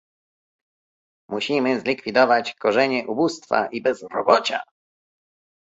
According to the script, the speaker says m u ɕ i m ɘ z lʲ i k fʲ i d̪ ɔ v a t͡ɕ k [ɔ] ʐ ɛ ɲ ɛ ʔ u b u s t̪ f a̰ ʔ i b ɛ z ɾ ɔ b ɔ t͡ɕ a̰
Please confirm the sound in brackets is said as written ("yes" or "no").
yes